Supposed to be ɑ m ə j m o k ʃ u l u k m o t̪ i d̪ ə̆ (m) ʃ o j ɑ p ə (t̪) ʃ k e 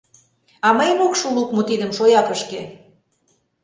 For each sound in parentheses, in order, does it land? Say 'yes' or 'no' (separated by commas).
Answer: yes, no